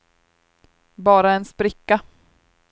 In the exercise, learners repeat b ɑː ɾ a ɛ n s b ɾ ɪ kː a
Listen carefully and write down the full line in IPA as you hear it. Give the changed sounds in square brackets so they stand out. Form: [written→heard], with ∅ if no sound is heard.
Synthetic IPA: b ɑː ɾ a ɛ n s [b→p] ɾ ɪ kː a